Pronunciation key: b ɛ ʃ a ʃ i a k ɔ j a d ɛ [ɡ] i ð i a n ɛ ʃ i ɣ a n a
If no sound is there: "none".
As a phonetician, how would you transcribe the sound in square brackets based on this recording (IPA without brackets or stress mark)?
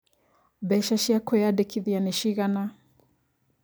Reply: k